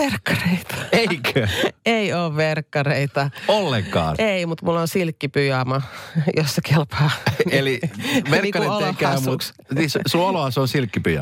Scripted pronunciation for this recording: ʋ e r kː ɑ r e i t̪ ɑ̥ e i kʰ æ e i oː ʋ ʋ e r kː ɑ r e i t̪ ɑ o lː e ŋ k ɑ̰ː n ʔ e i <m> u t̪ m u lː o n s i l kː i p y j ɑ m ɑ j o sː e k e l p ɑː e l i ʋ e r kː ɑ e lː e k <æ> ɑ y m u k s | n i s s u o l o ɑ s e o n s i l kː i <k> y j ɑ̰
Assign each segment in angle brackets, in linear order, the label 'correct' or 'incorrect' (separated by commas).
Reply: correct, correct, incorrect